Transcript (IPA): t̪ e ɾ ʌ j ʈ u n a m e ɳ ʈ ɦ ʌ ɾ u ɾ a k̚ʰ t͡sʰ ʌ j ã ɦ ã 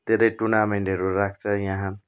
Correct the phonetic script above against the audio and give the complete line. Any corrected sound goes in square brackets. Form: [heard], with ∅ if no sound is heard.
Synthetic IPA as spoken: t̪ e ɾ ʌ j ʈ u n a m e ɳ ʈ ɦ ʌ ɾ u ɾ a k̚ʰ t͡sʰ ʌ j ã ɦ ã

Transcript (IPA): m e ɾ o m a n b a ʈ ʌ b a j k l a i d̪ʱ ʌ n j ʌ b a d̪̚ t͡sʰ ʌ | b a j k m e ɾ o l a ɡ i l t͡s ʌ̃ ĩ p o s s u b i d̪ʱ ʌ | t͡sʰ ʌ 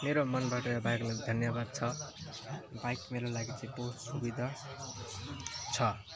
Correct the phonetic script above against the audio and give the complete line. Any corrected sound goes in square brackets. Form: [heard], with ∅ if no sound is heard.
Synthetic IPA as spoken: m e ɾ o m [ʌ] n b a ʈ ʌ b a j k l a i d̪ʱ ʌ n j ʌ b a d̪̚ t͡sʰ ʌ | b a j k m e ɾ o l a ɡ i [∅] t͡s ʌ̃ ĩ p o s s u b i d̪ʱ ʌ | t͡sʰ ʌ

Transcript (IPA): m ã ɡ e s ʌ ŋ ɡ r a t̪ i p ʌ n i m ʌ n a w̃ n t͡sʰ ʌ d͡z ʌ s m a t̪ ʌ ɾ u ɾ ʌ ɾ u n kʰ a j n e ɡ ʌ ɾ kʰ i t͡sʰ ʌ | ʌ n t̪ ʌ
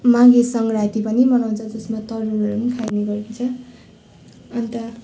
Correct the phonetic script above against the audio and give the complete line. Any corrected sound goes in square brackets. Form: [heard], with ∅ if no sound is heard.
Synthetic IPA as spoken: m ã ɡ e s ʌ ŋ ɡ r a t̪ i p ʌ n i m ʌ n a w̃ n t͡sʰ ʌ d͡z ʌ s m a t̪ ʌ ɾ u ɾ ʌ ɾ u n kʰ a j n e ɡ ʌ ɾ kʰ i t͡sʰ ʌ | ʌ n t̪ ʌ

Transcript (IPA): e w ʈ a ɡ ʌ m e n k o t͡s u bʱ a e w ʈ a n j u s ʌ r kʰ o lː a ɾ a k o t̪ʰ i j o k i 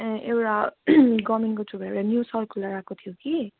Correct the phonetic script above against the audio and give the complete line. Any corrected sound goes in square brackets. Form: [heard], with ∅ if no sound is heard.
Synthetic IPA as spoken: e w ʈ a ɡ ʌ m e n k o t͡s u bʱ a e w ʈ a n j u s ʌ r kʰ [u] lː a ɾ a k o t̪ʰ i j o k i

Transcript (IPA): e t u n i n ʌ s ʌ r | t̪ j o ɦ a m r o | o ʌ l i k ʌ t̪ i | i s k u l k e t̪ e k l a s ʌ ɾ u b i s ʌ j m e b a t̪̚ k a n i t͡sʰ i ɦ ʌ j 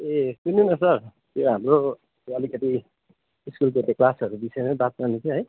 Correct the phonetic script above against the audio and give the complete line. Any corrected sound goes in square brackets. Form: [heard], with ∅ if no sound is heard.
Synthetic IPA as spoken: e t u n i n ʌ s ʌ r | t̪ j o ɦ a m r o | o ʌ l i k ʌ t̪ i | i s k u l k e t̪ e k l a s ʌ ɾ u b i s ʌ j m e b a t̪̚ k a n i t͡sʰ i ɦ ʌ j

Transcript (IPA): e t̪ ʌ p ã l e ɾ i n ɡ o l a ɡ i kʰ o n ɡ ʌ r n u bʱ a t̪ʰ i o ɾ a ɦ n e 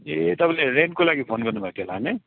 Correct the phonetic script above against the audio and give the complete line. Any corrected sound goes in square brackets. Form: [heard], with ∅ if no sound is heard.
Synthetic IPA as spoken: e t̪ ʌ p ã l e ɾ [e] n [k] o l a ɡ i [pʰ] o n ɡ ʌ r n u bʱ a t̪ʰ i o [l] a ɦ n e

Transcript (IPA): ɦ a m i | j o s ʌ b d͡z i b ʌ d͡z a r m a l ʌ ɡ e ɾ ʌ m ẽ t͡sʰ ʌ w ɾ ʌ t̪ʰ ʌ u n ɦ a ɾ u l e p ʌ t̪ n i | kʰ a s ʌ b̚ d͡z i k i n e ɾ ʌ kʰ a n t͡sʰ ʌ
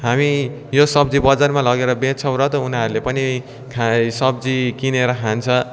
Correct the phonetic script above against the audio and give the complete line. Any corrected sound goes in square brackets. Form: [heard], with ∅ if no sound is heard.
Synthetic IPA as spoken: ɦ a m i | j o s ʌ b d͡z i b ʌ d͡z a r m a l ʌ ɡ e ɾ ʌ [b] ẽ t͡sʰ ʌ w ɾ ʌ [t̪] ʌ u n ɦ a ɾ u l e p ʌ [∅] n i | kʰ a s ʌ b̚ d͡z i k i n e ɾ ʌ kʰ a n t͡sʰ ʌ

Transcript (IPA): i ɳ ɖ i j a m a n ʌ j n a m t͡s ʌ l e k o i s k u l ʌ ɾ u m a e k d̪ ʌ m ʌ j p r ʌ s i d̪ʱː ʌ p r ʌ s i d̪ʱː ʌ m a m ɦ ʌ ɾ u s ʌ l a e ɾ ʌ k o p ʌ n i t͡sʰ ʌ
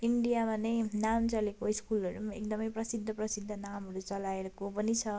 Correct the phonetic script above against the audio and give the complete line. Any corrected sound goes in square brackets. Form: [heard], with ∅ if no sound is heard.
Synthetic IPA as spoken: i ɳ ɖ i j a m a n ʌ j n a m t͡s ʌ l e k o i s k u l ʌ ɾ u m a e k d̪ ʌ m ʌ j p r ʌ s i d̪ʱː ʌ p r ʌ s i d̪ʱː ʌ [n] a m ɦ ʌ ɾ u [t͡s] ʌ l a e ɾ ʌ k o p ʌ n i t͡sʰ ʌ

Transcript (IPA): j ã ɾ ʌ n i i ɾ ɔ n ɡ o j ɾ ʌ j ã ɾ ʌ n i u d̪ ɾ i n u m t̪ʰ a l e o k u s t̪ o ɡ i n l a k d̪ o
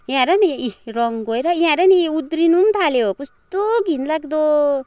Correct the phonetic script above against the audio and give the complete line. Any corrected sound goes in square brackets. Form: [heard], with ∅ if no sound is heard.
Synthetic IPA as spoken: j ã ɾ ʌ n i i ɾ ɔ [ŋ] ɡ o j ɾ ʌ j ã ɾ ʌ n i u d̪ ɾ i n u m t̪ʰ a l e o k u s t̪ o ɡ i n l a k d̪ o

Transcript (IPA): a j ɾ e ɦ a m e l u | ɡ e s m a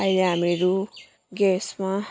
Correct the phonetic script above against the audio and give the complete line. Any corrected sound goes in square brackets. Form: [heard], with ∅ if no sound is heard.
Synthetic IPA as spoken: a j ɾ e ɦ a m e [ɾ] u | ɡ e s m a

